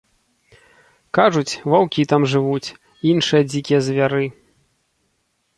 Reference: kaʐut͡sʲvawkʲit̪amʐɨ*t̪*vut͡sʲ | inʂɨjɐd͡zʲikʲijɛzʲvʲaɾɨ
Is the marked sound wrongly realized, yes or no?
yes